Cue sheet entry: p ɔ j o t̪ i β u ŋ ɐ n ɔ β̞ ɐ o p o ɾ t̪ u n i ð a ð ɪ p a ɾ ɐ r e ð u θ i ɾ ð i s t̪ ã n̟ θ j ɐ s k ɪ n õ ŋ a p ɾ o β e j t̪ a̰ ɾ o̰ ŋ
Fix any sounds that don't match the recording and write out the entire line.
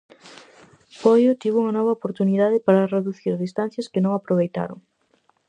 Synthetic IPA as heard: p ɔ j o t̪ i β u ŋ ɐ n ɔ β̞ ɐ o p o ɾ t̪ u n i ð a ð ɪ p a ɾ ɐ r e ð u θ i ɾ ð i s t̪ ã n̟ θ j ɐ s k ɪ n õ ŋ a p ɾ o β e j t̪ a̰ ɾ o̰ ŋ